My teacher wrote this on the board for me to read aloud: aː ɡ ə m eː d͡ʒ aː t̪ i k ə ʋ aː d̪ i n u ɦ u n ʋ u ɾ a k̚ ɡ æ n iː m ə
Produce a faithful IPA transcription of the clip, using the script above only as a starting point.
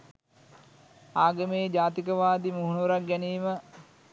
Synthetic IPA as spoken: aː ɡ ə m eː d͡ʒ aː t̪ i k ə ʋ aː d̪ i m u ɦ u n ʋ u ɾ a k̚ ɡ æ n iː m ə